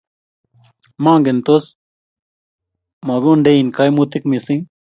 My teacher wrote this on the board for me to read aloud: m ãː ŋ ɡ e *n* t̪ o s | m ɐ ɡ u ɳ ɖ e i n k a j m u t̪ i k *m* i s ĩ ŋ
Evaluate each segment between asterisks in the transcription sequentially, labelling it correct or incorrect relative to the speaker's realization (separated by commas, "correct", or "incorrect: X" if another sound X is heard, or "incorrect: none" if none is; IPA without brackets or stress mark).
correct, correct